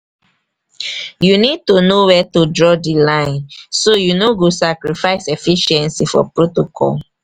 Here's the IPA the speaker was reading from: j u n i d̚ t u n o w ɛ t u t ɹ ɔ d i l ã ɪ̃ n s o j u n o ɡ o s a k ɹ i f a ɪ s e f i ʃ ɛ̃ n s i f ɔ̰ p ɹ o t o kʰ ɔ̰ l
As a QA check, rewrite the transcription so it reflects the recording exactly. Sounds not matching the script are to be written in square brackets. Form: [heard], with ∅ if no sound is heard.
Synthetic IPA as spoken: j u n i d̚ t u n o w ɛ t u [d] ɹ ɔ d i l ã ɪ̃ n s o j u n o ɡ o s a k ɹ i f a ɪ s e f i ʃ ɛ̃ n s i f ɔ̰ p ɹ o t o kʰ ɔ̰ l